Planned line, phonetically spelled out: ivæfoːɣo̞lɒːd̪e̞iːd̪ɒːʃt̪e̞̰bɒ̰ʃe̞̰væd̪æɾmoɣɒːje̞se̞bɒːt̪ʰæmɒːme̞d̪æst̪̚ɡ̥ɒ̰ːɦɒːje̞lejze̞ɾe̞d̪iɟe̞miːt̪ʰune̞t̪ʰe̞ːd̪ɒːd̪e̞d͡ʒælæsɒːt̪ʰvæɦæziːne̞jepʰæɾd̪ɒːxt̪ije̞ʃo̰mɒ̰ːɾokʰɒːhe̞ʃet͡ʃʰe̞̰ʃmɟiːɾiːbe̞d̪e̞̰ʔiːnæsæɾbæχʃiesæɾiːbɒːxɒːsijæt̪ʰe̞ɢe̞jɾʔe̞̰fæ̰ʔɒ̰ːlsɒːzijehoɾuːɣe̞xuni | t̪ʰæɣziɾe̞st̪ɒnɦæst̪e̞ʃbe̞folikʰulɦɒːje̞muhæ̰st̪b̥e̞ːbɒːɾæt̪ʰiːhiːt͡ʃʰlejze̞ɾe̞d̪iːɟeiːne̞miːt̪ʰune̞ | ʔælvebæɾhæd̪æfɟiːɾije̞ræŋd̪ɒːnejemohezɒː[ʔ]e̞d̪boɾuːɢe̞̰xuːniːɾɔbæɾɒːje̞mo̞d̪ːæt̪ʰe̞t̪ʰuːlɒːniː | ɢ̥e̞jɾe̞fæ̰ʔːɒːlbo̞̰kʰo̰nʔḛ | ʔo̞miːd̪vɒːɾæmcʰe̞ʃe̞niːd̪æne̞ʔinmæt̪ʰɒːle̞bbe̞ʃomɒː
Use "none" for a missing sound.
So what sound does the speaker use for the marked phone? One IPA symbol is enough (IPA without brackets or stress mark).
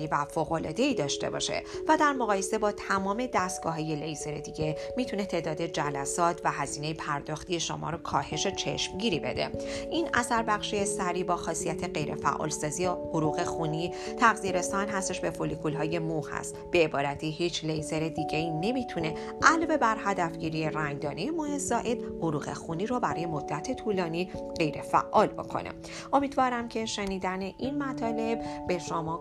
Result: ʔ